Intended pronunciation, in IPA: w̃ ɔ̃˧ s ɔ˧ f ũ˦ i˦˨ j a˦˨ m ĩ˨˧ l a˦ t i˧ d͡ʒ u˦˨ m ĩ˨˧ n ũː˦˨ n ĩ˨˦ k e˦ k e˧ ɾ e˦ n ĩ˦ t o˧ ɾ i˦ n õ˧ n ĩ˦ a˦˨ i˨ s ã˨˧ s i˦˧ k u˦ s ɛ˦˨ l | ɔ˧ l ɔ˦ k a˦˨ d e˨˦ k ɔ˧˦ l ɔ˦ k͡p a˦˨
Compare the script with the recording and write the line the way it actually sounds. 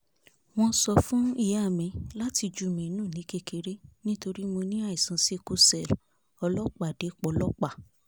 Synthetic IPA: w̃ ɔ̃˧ s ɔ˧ f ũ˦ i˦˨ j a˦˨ m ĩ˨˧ l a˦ t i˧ d͡ʒ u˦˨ m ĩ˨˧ n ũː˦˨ n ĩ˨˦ k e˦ k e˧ ɾ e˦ n ĩ˦ t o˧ ɾ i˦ m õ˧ n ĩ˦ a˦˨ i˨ s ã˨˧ s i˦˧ k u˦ s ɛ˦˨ l | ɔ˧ l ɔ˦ k͡p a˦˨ d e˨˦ k͡p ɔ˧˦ l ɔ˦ k͡p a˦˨